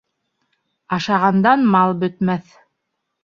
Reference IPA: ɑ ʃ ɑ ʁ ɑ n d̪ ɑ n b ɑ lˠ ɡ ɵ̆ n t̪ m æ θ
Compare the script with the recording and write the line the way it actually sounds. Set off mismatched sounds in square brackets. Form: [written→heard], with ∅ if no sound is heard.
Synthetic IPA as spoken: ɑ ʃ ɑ ʁ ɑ n d̪ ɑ n [b→m] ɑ lˠ [ɡ→b] ɵ̆ [n→∅] t̪ m æ θ